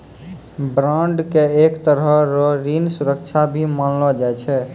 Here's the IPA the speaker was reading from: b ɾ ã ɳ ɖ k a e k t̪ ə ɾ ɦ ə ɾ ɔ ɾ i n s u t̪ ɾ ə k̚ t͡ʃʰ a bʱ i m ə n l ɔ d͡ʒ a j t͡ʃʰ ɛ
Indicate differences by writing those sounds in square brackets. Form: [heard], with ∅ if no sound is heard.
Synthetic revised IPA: b ɾ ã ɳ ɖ k [e] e k t̪ ə ɾ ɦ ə ɾ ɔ ɾ i n s u [∅] ɾ ə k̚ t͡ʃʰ a bʱ i m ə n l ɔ d͡ʒ a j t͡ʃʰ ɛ